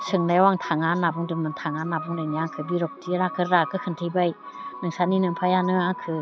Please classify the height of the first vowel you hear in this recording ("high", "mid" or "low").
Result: high